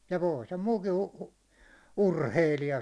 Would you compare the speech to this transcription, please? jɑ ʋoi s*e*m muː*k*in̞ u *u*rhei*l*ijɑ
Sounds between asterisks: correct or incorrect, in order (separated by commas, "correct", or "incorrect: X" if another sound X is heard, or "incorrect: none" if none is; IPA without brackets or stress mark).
correct, correct, correct, correct